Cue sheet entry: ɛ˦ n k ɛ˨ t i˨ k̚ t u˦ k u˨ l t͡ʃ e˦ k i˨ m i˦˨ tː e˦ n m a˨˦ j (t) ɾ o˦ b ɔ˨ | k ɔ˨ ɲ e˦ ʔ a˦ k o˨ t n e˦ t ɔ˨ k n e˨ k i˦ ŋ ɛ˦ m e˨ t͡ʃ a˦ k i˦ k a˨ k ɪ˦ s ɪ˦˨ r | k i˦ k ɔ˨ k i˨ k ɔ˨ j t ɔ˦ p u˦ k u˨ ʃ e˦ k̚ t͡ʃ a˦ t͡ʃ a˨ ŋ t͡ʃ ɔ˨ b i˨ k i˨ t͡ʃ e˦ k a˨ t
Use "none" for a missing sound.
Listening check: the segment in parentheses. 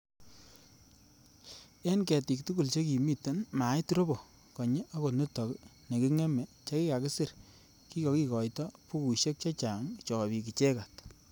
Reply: t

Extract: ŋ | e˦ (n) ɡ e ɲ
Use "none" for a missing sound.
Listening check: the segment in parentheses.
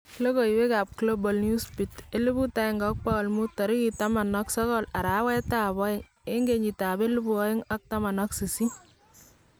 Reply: ŋ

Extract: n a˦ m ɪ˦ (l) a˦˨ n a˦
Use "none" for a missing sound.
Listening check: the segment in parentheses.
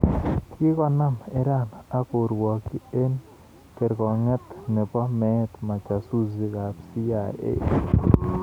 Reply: ɾ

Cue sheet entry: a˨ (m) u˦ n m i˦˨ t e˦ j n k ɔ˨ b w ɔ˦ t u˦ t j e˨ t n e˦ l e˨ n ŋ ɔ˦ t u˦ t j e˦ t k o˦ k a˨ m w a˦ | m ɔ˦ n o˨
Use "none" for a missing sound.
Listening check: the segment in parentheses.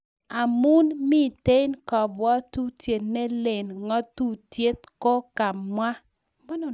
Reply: m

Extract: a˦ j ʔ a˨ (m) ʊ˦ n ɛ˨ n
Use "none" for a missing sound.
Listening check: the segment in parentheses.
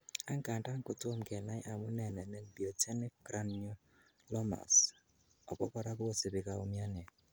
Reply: m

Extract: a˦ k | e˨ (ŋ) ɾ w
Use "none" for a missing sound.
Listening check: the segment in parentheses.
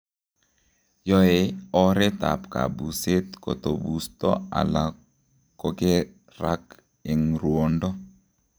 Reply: ŋ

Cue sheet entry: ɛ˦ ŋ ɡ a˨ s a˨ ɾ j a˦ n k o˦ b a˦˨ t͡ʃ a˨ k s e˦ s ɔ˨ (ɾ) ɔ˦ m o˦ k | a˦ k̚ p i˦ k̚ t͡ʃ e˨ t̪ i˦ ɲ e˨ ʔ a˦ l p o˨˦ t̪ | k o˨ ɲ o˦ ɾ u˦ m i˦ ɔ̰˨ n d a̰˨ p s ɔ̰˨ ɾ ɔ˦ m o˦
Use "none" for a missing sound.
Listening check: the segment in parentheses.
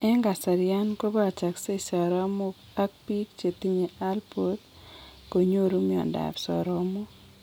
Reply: ɾ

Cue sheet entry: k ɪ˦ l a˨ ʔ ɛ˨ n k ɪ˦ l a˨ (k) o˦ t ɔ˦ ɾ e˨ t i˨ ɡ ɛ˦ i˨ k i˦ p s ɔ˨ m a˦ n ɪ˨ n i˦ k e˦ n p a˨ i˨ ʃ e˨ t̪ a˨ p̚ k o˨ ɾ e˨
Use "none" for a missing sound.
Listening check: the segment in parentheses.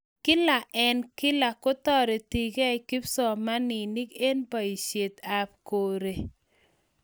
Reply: k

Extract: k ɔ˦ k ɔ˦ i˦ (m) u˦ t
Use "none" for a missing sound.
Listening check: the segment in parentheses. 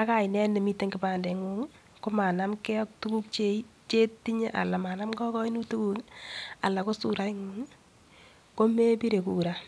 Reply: n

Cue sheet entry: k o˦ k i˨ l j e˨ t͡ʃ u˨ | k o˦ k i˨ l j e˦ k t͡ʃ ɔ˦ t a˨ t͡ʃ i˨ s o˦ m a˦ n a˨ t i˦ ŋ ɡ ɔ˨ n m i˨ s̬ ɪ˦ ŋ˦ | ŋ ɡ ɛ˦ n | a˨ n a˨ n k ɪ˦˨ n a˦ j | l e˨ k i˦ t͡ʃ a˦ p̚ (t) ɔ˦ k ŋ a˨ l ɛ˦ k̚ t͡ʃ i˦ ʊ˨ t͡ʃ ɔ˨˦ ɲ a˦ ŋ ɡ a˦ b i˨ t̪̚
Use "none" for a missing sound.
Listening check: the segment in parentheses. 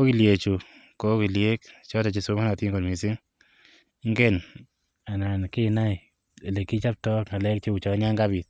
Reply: t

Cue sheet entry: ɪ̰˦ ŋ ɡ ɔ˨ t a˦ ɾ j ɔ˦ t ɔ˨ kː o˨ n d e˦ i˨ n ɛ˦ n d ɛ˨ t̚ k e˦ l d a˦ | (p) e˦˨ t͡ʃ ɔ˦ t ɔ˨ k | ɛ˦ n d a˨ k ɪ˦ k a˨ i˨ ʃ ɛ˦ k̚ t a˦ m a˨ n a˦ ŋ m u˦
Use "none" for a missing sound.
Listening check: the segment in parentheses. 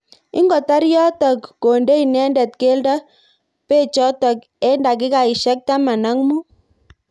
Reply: p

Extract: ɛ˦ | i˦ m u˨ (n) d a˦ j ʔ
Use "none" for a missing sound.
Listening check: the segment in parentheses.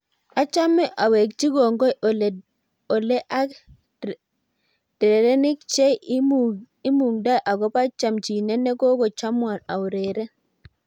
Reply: ŋ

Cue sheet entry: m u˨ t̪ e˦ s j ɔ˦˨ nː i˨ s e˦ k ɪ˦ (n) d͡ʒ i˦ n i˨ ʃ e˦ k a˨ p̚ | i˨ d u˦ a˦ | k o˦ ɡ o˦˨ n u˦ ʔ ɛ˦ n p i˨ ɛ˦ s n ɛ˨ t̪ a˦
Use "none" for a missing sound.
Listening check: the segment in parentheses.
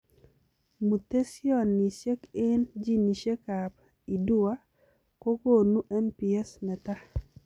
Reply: n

